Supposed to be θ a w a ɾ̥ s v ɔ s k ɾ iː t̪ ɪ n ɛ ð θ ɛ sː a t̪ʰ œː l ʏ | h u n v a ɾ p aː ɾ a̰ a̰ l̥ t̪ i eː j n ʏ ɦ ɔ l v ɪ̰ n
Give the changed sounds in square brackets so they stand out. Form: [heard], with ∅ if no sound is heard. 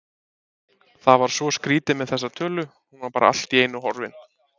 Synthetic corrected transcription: θ a [v] a ɾ̥ s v ɔ s k ɾ iː t̪ ɪ [m] ɛ ð θ ɛ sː a t̪ʰ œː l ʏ | h u n v a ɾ p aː ɾ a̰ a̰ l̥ t̪ i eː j n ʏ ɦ ɔ [ɾ] v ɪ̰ n